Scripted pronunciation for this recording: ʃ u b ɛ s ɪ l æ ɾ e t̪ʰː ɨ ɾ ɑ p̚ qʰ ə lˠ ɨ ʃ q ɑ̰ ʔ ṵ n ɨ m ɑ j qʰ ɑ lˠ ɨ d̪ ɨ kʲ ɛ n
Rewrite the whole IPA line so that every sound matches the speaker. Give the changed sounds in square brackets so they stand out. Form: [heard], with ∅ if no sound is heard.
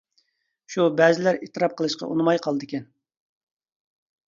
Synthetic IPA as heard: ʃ u b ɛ [z] ɪ l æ ɾ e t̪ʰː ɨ ɾ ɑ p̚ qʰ ə lˠ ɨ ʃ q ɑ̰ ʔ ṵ n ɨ m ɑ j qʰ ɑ lˠ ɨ d̪ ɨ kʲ ɛ n